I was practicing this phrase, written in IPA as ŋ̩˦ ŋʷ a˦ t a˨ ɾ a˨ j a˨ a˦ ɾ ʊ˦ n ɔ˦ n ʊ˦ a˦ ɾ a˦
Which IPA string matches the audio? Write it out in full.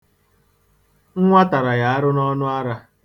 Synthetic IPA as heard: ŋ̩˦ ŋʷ a˦ t a˨ ɾ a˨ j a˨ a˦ ɾ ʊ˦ n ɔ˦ n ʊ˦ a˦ ɾ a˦